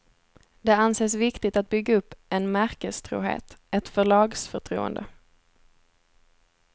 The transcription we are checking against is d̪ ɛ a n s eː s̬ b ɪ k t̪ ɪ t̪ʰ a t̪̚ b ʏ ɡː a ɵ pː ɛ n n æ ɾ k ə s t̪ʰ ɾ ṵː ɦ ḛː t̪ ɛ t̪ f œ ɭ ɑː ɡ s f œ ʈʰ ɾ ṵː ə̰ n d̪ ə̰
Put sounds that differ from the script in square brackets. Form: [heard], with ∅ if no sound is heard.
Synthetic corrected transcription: d̪ ɛ a n s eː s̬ [v] ɪ k t̪ ɪ [t̪] a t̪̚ b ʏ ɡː a ɵ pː ɛ n [m] æ ɾ k ə s t̪ʰ ɾ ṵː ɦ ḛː t̪ ɛ t̪ f œ ɭ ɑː ɡ s f œ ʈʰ ɾ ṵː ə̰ n d̪ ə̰